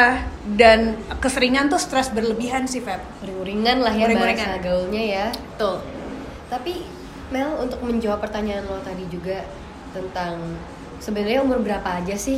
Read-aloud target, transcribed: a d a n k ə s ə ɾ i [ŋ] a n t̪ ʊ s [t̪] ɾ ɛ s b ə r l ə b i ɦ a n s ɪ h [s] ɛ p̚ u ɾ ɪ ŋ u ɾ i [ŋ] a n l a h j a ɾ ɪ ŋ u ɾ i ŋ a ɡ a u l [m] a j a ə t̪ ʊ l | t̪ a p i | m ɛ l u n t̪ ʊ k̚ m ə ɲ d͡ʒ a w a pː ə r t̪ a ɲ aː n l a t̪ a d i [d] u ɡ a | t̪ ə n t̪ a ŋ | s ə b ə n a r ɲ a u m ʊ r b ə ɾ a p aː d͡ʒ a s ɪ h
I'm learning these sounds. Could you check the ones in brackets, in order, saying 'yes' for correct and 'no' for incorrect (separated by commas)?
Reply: yes, yes, no, yes, no, no